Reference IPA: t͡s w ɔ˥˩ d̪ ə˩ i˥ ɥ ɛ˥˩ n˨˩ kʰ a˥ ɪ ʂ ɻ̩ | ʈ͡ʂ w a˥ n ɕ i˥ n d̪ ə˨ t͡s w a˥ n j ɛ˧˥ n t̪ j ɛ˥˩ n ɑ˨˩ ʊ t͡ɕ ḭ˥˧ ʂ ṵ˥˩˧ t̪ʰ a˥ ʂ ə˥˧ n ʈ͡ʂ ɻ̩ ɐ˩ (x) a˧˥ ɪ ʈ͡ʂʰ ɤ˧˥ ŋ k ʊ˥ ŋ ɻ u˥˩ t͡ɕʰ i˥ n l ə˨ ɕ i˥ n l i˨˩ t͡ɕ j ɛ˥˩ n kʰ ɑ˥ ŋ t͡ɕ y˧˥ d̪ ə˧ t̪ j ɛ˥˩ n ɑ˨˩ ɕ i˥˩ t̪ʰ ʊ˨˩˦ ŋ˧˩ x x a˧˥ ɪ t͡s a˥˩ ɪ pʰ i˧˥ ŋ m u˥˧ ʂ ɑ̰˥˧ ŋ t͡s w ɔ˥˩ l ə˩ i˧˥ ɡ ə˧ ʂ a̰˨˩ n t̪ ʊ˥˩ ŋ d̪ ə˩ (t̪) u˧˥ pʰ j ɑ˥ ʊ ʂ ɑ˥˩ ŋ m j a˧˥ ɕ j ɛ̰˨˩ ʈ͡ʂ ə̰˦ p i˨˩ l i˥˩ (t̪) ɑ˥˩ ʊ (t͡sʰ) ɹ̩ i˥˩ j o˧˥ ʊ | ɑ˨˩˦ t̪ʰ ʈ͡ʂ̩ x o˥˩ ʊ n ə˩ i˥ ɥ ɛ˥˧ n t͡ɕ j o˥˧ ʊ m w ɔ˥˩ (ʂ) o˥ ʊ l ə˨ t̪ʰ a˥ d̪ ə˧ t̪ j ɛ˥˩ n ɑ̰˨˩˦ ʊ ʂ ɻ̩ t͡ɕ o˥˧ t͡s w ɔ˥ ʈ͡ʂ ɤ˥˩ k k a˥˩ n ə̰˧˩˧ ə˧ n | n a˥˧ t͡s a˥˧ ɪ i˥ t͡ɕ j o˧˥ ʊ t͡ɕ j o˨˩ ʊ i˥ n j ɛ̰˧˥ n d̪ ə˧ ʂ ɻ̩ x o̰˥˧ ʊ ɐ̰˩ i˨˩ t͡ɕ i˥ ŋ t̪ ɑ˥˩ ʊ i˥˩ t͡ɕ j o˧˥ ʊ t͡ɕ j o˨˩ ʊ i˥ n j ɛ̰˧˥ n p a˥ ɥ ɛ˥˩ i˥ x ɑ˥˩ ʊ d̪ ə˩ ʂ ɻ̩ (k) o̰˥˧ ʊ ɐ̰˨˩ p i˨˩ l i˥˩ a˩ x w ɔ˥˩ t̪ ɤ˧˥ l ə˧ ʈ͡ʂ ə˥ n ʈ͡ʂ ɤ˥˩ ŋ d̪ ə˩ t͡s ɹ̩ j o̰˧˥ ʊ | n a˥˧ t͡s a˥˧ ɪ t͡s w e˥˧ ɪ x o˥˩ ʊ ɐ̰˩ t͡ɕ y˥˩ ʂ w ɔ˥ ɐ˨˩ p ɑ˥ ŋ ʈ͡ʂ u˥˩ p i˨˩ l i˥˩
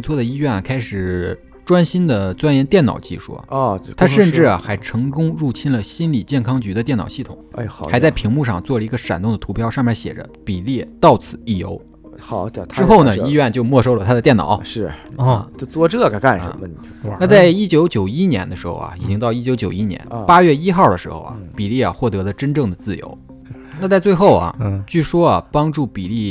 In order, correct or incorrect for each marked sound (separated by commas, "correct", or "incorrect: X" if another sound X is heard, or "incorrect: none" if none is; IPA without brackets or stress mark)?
correct, incorrect: t̪ʰ, correct, correct, correct, incorrect: x